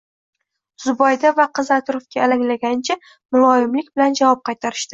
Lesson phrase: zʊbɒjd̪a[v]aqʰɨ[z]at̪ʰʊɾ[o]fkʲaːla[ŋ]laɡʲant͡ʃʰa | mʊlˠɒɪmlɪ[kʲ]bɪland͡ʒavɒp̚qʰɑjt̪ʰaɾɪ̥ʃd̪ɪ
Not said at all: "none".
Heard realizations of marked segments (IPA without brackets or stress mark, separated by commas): v, z, o, ŋ, kʲ